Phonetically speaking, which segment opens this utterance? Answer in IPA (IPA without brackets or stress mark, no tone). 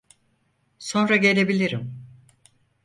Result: s